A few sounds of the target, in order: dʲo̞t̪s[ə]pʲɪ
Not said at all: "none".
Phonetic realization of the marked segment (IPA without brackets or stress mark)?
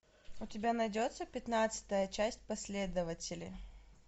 ə